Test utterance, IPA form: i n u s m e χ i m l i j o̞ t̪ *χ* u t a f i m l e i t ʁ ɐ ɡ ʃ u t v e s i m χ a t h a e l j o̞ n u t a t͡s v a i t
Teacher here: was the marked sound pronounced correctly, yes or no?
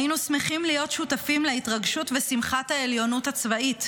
no